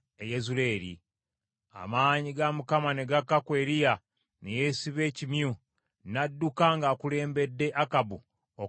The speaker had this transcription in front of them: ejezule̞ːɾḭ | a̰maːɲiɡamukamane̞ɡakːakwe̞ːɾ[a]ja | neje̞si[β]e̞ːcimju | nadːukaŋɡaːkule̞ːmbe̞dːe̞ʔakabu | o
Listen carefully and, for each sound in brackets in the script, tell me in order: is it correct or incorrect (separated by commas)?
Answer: incorrect, correct